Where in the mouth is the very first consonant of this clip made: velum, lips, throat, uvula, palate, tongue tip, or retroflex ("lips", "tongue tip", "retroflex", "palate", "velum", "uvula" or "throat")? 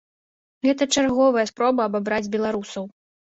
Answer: velum